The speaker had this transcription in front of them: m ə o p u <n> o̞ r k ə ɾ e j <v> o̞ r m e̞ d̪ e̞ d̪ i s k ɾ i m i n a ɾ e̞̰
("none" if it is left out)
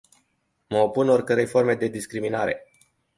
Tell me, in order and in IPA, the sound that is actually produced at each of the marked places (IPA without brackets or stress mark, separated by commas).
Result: n, f